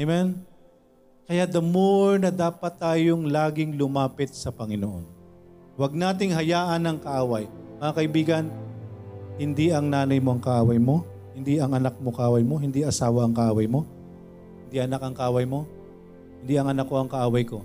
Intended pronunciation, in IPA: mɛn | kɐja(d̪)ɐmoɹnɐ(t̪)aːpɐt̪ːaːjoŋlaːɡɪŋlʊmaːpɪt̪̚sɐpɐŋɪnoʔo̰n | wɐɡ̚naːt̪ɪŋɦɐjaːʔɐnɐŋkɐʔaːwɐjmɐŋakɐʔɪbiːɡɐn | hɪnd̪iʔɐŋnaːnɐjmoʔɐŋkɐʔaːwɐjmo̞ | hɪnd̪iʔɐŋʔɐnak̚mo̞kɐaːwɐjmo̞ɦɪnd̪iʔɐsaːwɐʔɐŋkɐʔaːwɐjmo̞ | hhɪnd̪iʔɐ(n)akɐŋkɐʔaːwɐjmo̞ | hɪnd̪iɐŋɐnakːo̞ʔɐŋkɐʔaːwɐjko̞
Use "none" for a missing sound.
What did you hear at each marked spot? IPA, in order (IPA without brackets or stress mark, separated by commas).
d̪, d̪, n